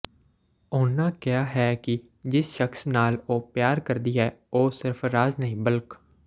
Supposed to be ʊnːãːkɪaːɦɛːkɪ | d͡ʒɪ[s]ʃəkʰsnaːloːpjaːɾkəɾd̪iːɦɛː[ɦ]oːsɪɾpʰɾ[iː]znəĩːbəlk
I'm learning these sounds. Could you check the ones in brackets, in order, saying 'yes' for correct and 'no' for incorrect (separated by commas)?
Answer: yes, no, no